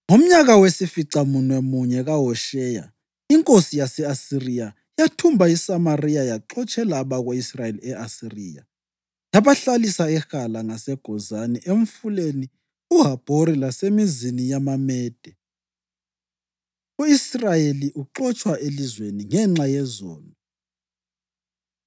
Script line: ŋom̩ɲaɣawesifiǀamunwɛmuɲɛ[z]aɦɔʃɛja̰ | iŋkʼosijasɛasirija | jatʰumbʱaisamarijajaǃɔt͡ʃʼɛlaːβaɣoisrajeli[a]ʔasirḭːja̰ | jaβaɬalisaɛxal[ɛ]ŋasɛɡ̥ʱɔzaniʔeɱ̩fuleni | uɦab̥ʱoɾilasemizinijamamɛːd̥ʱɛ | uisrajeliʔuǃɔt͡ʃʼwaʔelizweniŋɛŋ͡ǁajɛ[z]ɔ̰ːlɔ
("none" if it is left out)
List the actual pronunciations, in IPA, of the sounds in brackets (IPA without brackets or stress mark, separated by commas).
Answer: ɣ, ɛ, a, z